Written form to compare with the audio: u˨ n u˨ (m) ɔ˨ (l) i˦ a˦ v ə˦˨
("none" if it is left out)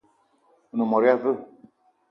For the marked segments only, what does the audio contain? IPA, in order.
m, ɾ

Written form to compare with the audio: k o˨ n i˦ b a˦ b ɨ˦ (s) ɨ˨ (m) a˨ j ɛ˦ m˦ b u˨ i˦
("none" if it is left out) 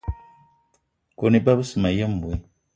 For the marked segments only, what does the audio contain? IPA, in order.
s, m

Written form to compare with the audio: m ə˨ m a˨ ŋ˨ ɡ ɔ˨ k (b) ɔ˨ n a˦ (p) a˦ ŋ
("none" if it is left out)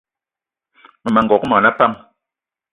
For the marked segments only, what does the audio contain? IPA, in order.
m, p

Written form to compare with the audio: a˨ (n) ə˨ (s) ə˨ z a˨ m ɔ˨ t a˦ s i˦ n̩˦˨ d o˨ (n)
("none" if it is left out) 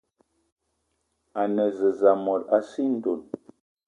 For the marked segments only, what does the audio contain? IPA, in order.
n, z, n

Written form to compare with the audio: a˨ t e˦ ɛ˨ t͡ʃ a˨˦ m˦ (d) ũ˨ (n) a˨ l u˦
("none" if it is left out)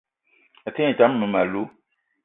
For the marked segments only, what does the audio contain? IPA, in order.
n, m

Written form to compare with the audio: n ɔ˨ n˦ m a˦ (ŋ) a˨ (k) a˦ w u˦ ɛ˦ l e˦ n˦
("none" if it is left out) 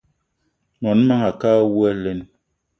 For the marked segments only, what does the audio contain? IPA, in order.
ŋ, k

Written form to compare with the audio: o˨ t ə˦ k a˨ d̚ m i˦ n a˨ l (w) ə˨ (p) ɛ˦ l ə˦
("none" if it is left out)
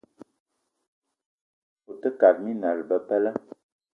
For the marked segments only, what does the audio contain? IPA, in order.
b, p

